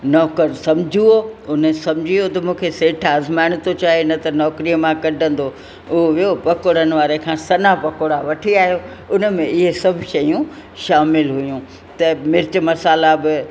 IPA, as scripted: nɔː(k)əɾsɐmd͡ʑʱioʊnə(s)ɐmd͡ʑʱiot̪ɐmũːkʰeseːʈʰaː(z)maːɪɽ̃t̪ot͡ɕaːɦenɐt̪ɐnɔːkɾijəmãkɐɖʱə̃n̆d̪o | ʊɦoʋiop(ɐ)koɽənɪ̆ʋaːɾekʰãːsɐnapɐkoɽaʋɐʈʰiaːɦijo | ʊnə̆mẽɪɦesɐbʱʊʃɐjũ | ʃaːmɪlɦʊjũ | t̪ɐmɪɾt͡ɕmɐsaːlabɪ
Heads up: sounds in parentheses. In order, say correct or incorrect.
correct, correct, correct, correct

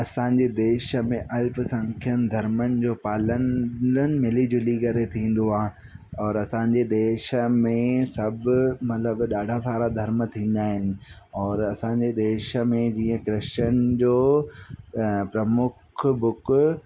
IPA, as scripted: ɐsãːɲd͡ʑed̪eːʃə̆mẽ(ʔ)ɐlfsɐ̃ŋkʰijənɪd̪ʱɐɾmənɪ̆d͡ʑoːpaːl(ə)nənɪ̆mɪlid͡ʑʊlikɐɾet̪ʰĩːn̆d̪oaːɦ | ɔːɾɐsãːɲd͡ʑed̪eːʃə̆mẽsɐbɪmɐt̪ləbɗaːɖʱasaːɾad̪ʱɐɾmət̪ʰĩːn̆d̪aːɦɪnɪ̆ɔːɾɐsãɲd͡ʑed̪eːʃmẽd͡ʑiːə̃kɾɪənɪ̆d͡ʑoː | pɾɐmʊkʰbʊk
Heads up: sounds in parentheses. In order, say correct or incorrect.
correct, correct

